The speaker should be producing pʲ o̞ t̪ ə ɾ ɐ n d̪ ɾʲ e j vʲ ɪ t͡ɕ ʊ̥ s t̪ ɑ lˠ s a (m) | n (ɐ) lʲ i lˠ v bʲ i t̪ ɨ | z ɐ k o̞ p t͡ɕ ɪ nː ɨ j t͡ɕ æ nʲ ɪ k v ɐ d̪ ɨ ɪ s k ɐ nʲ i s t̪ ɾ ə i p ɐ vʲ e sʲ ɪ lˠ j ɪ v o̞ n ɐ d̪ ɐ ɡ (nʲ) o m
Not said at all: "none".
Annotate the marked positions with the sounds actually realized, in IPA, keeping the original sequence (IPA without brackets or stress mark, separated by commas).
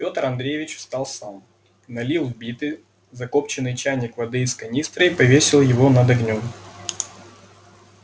m, ɐ, nʲ